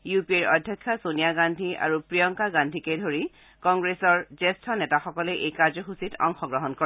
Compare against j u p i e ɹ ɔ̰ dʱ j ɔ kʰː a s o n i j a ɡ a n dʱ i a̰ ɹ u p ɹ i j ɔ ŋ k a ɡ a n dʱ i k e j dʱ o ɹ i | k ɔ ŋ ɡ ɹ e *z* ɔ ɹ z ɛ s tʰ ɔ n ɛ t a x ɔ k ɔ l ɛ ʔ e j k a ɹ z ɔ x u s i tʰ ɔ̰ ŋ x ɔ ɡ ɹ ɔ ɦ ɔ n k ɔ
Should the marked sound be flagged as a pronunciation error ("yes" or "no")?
yes